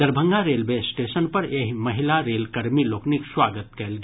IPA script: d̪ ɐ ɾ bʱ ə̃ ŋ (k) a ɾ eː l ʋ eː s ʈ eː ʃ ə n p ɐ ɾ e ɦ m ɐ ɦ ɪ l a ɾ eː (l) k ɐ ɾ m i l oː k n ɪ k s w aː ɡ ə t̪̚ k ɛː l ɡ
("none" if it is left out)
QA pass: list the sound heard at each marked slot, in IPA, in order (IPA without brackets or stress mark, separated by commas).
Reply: ɡ, l